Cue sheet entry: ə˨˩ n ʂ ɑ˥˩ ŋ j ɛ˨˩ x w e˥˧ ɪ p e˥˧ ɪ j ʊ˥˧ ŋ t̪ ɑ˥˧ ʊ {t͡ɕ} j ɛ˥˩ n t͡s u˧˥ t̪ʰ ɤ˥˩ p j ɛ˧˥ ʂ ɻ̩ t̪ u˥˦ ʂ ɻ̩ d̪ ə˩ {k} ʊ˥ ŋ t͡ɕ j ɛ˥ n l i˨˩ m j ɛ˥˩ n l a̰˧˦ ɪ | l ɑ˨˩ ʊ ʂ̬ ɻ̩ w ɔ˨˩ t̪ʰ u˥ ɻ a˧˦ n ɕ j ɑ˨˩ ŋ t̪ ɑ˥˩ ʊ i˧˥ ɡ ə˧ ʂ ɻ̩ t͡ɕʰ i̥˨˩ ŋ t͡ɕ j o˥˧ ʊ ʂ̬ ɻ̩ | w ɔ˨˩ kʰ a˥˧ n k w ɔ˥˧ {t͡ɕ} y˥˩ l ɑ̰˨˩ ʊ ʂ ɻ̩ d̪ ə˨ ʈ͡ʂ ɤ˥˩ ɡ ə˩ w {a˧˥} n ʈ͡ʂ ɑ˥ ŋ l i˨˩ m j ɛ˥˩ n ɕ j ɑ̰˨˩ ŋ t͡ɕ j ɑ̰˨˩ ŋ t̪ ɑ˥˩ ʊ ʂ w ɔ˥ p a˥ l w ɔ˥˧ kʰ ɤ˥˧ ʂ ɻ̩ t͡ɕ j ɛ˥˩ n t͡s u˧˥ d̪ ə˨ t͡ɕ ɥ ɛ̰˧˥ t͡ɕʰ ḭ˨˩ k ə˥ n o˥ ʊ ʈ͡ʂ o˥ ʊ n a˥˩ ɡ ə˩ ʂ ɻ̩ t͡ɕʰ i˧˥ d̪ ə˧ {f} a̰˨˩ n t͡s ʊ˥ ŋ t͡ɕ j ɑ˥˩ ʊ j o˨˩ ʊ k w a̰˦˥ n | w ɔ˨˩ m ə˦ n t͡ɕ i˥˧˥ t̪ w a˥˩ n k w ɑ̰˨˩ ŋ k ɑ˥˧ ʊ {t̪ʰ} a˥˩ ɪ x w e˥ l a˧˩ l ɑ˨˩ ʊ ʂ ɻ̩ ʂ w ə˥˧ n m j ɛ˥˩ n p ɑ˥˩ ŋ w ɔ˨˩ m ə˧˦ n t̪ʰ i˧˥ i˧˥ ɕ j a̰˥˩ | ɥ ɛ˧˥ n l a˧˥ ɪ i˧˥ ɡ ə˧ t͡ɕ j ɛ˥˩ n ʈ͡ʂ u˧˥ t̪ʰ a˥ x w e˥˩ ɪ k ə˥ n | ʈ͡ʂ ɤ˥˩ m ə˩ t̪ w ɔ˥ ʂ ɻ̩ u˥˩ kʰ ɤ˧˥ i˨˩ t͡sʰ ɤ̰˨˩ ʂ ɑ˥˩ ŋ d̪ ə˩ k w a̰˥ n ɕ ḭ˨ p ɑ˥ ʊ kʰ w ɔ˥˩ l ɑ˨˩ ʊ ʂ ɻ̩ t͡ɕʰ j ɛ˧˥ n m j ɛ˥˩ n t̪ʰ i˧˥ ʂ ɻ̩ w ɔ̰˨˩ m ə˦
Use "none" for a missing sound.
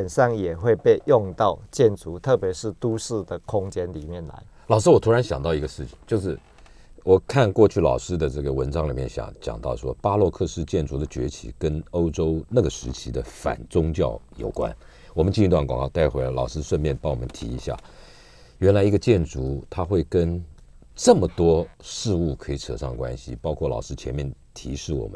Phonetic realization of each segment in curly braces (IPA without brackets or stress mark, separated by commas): t͡ɕ, kʰ, t͡ɕʰ, ə˧˥, f, t̪